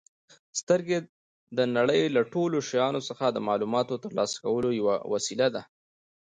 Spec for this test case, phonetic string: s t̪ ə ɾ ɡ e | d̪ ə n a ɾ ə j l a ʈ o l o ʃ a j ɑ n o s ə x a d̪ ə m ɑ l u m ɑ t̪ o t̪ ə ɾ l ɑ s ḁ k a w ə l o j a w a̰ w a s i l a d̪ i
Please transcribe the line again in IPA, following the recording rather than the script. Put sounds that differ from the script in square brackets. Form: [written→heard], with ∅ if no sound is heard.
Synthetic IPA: s t̪ ə ɾ ɡ e | d̪ ə n a [ɾ→ɽ] ə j l a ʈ o l o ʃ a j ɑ n o s ə x a d̪ ə m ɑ l u m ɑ t̪ o t̪ ə ɾ l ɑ s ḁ k a w ə l o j a w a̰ w a s i l a d̪ [i→a]